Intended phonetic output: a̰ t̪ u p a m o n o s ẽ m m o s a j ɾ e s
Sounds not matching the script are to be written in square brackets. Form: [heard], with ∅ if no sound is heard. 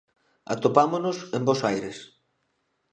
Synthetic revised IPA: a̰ t̪ [o] p a m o n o s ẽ m [b] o s a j ɾ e s